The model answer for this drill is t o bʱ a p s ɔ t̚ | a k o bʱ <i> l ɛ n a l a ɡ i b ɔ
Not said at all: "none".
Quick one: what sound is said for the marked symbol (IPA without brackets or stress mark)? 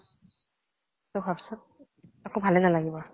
a